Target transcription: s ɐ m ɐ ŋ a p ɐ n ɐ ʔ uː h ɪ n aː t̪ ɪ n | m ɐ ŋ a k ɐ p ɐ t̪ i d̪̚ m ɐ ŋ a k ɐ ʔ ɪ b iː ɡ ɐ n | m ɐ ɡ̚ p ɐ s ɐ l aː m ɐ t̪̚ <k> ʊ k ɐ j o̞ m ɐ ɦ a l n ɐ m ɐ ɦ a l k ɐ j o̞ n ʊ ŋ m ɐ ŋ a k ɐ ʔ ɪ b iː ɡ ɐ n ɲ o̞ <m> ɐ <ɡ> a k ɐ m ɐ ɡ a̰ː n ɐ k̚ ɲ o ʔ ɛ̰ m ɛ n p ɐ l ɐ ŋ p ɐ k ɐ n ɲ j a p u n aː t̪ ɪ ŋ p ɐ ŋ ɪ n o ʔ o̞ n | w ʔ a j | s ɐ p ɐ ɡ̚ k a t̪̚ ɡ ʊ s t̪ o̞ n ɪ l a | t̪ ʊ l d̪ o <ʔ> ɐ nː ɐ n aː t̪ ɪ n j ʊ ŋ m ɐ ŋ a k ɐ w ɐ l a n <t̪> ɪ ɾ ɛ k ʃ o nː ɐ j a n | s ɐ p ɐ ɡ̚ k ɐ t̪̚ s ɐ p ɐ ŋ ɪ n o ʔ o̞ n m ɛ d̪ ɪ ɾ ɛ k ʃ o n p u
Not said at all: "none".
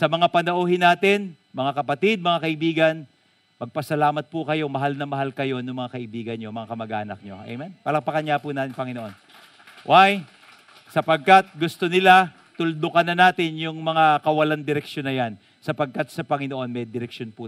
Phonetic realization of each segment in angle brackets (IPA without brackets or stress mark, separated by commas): p, m, ŋ, k, d̪